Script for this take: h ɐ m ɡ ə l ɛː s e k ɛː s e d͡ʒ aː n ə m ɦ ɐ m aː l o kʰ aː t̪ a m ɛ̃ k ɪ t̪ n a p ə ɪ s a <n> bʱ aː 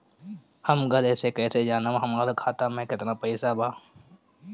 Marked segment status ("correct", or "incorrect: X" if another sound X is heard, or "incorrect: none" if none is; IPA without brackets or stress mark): incorrect: none